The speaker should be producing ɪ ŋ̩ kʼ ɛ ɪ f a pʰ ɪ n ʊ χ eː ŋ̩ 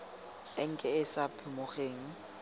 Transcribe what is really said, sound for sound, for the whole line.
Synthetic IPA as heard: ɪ ŋ̩ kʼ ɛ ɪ s a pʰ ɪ m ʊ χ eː ŋ̩